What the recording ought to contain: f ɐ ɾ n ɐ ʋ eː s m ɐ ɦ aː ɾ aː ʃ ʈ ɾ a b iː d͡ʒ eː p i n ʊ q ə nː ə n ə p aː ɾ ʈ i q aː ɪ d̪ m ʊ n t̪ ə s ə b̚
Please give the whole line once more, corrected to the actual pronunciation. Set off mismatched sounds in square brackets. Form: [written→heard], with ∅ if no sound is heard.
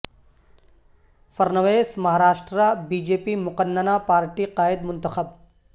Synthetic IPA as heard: f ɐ ɾ n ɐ ʋ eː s m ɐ ɦ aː ɾ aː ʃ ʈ ɾ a b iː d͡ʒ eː p i [n→m] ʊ q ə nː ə n [ə→a] p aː ɾ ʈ i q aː ɪ d̪ m ʊ n t̪ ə [s→x] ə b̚